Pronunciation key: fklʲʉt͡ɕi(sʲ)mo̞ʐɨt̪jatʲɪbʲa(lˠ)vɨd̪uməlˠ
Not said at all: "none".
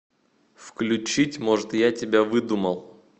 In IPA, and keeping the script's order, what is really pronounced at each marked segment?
tʲ, none

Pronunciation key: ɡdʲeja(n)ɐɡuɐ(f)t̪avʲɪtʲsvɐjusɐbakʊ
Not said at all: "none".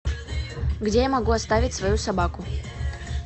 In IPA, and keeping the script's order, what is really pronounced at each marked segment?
m, s

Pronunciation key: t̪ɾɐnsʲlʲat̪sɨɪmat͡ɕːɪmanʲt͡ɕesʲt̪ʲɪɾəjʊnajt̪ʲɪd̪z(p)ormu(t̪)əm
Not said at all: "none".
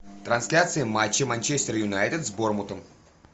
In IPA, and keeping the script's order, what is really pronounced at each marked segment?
b, t̪

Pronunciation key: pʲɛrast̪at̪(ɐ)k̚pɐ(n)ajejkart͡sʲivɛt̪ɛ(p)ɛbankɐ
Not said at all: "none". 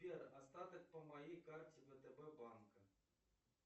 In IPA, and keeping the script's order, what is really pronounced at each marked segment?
ɐ, m, b

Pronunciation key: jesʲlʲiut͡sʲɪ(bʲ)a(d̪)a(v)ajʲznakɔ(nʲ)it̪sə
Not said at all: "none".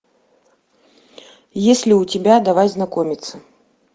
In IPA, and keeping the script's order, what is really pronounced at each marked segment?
bʲ, d̪, v, mʲ

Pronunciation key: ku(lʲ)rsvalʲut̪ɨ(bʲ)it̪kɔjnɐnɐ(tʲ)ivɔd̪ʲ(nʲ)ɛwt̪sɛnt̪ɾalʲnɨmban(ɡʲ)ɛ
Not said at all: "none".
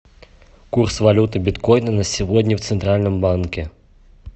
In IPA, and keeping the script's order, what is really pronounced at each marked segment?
none, bʲ, sʲ, nʲ, kʲ

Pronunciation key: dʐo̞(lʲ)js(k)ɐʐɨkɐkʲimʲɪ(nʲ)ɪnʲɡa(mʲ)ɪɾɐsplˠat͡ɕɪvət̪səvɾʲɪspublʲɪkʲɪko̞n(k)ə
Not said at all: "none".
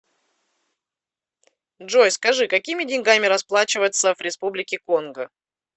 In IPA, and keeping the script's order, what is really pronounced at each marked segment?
none, k, dʲ, mʲ, ɡ

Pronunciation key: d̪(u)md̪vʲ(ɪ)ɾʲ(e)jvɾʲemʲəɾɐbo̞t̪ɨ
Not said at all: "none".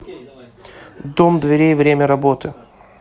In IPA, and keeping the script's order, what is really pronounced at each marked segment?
o, ɪ, e

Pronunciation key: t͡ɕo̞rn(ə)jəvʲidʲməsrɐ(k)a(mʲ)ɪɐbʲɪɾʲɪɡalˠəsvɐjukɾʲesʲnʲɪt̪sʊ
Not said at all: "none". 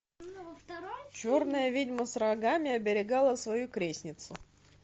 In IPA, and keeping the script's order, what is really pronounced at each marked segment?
ə, ɡ, mʲ

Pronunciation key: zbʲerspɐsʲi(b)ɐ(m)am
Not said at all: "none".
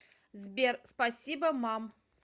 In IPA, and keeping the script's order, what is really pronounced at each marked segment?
b, m

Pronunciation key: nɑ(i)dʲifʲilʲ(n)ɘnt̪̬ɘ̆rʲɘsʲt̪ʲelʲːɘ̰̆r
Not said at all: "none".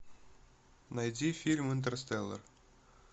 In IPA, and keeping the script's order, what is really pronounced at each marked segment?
j, m

